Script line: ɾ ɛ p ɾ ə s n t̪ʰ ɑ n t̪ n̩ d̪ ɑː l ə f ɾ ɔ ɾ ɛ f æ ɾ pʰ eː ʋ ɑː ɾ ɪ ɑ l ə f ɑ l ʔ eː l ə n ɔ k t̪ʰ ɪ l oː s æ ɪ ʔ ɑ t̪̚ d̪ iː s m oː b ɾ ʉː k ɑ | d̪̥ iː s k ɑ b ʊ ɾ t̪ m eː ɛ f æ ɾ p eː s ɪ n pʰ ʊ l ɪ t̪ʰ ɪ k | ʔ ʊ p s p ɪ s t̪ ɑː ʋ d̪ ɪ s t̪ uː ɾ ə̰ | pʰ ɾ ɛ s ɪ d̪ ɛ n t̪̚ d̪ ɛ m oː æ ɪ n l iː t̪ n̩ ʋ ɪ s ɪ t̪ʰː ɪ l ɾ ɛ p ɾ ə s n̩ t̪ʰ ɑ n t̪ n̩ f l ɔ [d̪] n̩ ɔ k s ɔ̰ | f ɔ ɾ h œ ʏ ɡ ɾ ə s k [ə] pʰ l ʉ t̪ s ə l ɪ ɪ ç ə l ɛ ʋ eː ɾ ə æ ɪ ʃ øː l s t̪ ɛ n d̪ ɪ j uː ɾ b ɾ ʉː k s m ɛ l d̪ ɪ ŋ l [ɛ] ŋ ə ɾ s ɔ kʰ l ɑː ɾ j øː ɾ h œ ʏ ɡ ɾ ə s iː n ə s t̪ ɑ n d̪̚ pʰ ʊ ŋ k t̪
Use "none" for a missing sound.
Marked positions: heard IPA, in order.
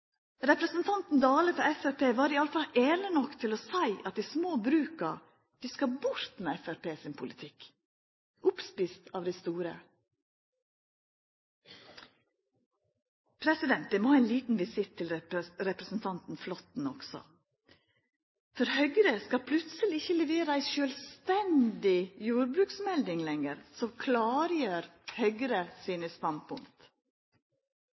t̪, ɑ, ɛ

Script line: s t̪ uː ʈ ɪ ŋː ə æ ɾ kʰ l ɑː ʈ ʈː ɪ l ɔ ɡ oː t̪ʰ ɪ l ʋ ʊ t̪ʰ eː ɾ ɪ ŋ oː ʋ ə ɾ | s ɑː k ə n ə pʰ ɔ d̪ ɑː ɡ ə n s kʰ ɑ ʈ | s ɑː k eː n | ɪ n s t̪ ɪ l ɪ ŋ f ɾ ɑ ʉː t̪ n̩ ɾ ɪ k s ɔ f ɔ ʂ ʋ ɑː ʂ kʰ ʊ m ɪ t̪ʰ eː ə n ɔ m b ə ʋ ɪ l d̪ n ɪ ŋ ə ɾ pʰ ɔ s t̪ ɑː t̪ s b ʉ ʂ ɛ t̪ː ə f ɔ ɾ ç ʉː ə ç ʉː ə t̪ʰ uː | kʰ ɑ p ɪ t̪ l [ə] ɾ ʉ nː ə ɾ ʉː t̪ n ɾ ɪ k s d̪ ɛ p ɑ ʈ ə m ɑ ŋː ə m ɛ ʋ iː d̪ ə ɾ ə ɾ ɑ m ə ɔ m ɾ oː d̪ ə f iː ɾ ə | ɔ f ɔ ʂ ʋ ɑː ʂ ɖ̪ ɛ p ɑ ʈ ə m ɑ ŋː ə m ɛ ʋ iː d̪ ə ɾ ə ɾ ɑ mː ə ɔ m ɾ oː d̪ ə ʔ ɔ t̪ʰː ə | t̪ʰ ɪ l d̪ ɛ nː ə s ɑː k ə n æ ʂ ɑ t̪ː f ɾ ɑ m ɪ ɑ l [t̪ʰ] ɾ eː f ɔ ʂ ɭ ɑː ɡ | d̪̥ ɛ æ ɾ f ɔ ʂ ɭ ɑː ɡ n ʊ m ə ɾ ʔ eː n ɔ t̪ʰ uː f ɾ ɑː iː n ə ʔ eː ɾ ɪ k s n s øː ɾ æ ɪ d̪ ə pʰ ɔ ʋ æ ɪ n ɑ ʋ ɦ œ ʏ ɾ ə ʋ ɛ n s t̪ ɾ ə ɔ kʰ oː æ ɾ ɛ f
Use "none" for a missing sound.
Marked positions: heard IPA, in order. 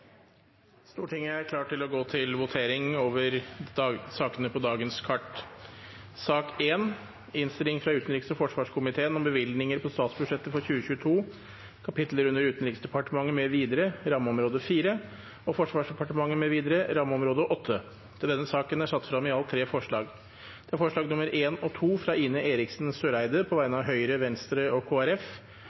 ə, t̪ʰ

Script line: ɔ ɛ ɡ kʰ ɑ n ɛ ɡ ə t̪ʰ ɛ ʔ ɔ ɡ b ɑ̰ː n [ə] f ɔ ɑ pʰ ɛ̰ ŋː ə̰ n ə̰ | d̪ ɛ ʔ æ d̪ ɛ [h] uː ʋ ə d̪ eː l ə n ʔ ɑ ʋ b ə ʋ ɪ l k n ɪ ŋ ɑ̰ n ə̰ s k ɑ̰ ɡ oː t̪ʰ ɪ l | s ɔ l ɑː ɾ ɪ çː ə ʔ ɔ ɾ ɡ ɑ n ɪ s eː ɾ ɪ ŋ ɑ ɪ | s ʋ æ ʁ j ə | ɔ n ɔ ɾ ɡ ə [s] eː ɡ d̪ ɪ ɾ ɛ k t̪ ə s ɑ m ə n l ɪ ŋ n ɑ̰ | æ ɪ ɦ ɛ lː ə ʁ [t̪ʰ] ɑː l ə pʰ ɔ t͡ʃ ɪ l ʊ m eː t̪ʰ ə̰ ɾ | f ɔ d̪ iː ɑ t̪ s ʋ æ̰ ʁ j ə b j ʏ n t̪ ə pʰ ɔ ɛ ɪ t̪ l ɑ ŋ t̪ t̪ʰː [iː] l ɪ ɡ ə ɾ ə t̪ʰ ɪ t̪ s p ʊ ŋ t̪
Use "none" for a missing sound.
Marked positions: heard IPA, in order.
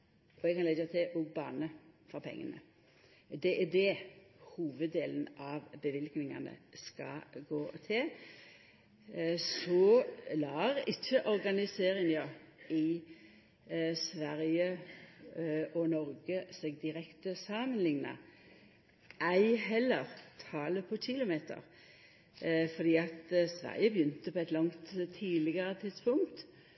ə, h, s, t̪ʰ, iː

